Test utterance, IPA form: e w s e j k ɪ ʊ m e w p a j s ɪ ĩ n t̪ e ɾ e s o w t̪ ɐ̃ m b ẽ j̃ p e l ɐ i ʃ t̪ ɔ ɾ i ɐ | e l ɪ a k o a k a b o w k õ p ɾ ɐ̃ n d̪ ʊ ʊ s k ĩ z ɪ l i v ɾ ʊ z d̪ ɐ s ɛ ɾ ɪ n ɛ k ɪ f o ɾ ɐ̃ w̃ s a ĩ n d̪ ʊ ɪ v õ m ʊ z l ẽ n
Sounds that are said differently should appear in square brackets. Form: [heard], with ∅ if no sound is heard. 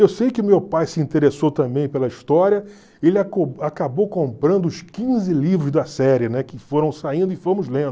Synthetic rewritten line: e w s e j k ɪ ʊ m e w p a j s ɪ ĩ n t̪ e ɾ e s o w t̪ ɐ̃ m b ẽ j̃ p e l ɐ i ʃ t̪ ɔ ɾ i ɐ | e l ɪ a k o a k a b o w k õ p ɾ ɐ̃ n d̪ ʊ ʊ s k ĩ z ɪ l i v ɾ ʊ z d̪ ɐ s ɛ ɾ ɪ n ɛ k ɪ f o ɾ ɐ̃ w̃ s a ĩ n d̪ ʊ ɪ [f] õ m ʊ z l ẽ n